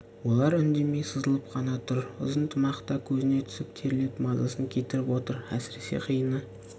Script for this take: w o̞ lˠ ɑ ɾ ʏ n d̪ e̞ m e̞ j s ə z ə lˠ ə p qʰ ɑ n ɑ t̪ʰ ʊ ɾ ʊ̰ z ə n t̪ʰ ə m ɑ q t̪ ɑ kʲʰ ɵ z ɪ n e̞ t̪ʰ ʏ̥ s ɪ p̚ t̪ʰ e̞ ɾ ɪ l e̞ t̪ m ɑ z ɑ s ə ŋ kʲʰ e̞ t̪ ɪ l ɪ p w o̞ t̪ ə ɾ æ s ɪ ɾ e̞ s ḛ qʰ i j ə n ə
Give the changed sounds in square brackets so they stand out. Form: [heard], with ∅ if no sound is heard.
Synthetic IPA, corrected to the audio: w o̞ lˠ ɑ ɾ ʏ n d̪ e̞ m e̞ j s ə z ə lˠ ə p qʰ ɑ n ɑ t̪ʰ ʊ ɾ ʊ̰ z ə n t̪ʰ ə m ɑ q t̪ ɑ kʲʰ ɵ z ɪ n e̞ t̪ʰ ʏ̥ s ɪ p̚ t̪ʰ e̞ ɾ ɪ l e̞ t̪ m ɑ z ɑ s ə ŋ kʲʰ e̞ t̪ ɪ [ɾ] ɪ p w o̞ t̪ ə ɾ æ s ɪ ɾ e̞ s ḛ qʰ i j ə n ə